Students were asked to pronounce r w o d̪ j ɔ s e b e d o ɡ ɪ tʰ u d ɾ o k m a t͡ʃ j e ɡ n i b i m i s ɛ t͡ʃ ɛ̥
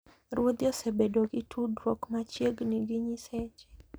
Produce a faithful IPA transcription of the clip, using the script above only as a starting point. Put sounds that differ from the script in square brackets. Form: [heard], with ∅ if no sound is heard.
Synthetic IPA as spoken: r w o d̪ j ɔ s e b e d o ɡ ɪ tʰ u d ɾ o k m a t͡ʃ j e ɡ n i [ɡ] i [ɲ] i s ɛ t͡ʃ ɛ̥